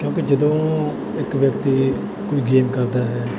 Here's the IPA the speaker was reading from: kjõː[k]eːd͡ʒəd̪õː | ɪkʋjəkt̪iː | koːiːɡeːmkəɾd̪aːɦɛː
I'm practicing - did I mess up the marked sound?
no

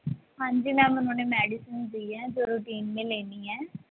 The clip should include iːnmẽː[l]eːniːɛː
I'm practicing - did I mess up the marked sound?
no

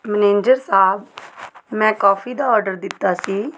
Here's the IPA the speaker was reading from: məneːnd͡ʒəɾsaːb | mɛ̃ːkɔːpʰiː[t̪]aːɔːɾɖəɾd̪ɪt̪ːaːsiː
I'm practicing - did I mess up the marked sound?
yes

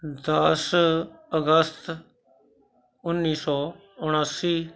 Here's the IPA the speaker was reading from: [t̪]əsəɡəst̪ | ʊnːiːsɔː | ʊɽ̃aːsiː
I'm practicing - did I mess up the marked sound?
yes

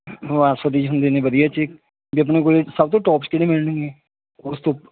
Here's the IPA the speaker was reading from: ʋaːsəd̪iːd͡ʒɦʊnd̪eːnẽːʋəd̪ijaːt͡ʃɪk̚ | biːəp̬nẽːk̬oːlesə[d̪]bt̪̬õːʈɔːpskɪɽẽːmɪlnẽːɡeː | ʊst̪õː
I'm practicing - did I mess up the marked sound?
yes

